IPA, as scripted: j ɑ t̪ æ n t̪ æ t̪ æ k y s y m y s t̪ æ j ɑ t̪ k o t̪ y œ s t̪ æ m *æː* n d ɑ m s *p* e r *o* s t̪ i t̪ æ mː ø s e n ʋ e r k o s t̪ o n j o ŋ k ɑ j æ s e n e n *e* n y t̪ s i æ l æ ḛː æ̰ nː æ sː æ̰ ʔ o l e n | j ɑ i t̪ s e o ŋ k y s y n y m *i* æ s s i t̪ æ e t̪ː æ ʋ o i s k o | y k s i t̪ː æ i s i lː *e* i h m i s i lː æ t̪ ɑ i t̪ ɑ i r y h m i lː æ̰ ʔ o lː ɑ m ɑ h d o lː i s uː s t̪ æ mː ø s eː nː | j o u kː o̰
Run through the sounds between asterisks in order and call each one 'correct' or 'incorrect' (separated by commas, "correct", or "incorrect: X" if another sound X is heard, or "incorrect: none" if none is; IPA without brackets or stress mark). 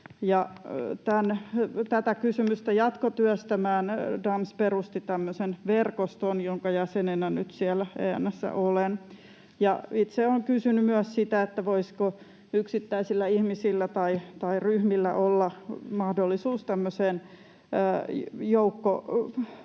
correct, correct, incorrect: u, incorrect: æ, incorrect: y, incorrect: æ